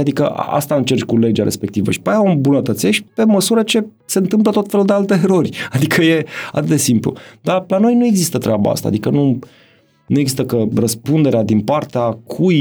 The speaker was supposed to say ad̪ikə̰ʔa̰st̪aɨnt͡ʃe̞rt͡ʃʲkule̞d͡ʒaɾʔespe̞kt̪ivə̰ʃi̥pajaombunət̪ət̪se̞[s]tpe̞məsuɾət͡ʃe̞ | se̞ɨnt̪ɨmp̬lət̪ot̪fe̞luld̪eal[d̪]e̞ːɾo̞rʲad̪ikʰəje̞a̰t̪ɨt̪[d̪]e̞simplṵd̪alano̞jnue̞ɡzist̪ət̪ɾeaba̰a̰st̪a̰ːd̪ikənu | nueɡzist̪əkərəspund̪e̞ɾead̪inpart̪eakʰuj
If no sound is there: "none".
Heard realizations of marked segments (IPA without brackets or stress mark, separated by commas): ʃ, t̪, d̪